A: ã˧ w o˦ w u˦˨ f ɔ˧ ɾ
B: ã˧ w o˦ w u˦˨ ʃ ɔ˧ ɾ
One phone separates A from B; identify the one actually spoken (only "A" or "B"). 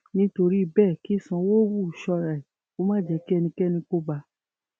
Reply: B